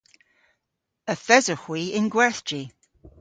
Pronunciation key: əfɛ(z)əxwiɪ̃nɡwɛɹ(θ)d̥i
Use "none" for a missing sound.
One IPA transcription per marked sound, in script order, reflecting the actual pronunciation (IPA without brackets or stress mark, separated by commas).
z, θ